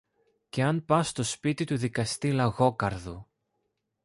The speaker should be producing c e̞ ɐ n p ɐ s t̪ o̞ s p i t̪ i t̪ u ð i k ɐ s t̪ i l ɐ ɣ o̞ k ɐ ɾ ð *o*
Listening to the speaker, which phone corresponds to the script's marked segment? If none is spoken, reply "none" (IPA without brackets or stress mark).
u